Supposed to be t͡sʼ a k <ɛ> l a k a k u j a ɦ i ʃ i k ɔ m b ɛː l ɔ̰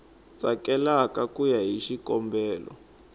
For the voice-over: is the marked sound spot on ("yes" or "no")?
yes